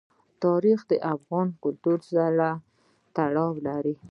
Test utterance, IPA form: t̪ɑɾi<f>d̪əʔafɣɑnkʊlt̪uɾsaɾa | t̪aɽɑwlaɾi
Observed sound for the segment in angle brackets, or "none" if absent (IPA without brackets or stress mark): x